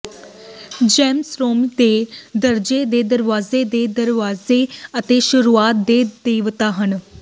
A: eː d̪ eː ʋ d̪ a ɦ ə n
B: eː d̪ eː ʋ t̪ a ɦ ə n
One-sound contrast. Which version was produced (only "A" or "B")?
B